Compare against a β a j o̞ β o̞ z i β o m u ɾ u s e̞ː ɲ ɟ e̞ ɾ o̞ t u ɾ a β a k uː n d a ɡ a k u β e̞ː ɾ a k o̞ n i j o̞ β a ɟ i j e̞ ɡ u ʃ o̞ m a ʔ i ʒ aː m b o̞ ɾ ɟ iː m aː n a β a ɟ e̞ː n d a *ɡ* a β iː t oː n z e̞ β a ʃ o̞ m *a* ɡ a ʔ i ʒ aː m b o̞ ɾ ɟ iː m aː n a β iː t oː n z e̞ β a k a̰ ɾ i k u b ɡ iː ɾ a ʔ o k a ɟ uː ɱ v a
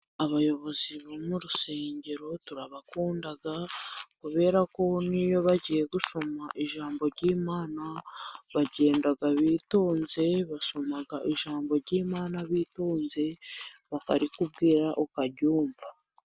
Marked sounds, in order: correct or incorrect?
correct, correct

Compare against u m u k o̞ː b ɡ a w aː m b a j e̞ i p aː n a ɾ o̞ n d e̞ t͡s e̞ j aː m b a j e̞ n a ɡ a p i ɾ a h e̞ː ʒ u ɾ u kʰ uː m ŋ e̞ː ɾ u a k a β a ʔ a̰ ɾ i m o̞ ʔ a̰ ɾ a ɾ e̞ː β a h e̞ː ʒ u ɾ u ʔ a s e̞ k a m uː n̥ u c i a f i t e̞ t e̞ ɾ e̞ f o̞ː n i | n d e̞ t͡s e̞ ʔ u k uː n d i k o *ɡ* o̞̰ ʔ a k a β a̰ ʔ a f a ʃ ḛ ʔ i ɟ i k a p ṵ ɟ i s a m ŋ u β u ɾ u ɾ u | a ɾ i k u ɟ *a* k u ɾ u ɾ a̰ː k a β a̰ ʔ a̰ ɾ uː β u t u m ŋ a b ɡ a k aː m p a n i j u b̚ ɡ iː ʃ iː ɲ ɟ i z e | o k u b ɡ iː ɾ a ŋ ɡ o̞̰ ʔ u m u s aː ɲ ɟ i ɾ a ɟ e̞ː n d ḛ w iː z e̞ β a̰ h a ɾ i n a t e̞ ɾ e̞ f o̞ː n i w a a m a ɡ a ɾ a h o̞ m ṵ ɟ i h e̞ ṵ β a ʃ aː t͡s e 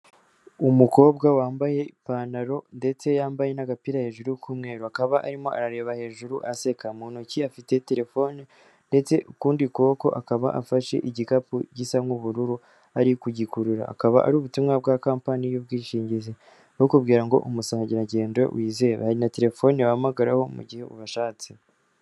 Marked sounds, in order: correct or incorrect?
incorrect, incorrect

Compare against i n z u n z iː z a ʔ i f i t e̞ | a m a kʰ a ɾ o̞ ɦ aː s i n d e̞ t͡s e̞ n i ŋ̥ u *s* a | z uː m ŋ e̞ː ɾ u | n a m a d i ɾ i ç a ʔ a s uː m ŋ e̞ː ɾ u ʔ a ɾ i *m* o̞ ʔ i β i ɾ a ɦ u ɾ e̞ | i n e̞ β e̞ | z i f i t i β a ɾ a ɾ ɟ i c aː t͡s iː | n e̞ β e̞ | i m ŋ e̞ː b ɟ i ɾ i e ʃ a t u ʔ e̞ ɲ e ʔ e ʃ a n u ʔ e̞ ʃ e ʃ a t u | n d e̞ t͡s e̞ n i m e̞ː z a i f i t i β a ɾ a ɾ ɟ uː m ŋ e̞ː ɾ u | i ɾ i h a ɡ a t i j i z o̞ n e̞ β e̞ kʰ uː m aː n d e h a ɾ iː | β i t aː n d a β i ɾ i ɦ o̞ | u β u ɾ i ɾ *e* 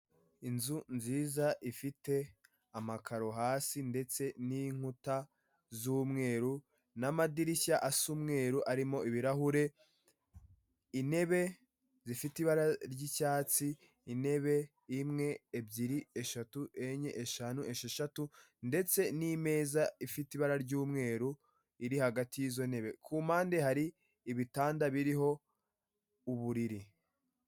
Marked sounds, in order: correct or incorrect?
incorrect, correct, incorrect

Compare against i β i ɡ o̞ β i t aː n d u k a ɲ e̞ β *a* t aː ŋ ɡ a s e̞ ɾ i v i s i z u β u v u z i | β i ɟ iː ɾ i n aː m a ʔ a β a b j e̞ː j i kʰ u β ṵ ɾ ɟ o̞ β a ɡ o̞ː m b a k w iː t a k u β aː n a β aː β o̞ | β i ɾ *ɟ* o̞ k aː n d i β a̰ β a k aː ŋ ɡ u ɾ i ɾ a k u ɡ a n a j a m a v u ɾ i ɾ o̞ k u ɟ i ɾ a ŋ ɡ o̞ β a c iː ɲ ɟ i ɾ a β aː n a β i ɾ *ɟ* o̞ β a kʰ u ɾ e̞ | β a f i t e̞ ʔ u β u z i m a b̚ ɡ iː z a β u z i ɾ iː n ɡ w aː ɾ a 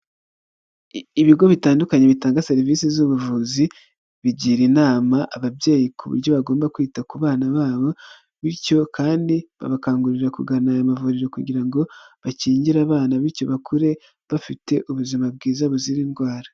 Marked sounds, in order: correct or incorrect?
incorrect, incorrect, incorrect

